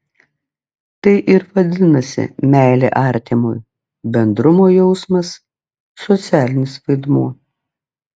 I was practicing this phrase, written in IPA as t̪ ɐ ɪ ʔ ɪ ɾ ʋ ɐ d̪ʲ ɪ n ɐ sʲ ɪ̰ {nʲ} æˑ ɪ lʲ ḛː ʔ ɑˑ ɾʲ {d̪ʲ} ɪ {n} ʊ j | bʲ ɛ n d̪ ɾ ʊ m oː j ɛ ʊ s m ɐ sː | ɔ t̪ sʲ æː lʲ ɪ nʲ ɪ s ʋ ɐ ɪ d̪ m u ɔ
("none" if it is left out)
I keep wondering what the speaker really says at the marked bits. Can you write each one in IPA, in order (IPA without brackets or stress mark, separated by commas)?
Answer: mʲ, t̪ʲ, m